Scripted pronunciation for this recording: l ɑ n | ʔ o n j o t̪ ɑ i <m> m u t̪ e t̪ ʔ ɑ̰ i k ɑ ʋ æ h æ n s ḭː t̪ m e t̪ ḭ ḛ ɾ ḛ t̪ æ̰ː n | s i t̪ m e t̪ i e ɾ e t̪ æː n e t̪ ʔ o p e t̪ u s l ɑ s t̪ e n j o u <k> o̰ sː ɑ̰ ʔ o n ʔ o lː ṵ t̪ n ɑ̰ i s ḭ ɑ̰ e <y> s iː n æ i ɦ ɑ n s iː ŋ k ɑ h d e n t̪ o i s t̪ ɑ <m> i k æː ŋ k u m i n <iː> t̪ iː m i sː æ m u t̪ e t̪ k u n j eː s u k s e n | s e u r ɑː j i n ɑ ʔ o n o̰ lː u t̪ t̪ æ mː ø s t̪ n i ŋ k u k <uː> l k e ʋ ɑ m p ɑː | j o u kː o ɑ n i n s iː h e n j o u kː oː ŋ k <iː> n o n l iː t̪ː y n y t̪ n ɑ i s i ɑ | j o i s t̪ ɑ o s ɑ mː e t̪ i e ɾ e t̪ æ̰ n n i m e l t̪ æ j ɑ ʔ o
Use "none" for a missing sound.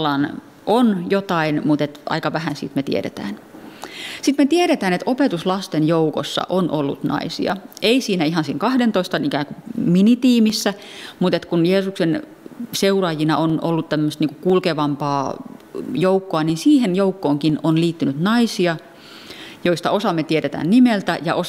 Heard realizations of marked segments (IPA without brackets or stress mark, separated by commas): n, k, i, n, i, u, i